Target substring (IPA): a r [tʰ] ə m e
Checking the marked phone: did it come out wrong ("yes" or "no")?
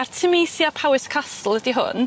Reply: no